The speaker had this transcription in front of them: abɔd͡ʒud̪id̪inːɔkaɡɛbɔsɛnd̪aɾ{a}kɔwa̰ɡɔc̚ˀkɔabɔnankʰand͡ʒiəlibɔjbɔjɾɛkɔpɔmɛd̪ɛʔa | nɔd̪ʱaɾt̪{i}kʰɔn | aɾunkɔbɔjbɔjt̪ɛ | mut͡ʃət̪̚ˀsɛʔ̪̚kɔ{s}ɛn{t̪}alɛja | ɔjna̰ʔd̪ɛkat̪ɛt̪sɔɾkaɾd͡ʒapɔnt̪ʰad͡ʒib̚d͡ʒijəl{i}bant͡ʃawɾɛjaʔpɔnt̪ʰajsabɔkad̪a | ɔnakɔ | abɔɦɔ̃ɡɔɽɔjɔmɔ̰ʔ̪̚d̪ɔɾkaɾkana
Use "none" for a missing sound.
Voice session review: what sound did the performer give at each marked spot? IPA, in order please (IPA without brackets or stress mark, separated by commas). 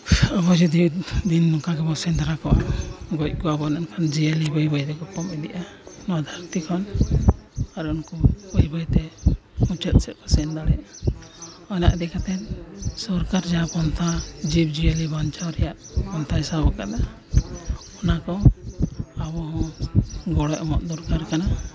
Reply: a, i, s, d̪, i